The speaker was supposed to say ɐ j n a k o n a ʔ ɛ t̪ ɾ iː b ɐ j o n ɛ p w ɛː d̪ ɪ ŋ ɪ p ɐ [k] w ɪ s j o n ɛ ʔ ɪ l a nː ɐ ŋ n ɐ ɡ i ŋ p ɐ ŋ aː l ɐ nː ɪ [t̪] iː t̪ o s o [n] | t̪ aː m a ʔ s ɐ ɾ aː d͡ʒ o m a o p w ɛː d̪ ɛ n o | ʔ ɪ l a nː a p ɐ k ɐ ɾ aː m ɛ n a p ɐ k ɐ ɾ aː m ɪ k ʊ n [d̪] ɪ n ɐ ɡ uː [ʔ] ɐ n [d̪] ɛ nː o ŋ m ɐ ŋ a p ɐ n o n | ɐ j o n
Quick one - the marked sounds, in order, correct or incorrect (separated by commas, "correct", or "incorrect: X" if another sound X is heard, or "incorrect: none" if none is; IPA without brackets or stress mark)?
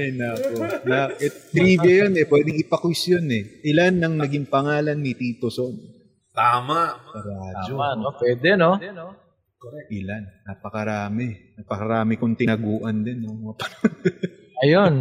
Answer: correct, correct, correct, incorrect: t̪, correct, correct